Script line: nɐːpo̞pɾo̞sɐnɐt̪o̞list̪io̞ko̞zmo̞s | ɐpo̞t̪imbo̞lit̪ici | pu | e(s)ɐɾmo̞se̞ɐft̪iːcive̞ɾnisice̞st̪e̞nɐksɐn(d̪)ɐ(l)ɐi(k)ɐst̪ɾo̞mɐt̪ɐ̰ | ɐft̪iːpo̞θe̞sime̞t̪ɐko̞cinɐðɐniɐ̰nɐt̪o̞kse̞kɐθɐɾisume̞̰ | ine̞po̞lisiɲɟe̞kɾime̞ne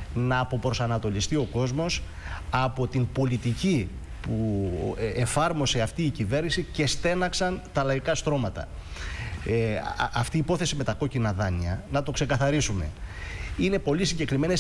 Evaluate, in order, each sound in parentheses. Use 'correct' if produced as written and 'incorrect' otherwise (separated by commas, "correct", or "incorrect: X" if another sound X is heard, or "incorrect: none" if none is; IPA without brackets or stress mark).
incorrect: f, incorrect: t̪, correct, correct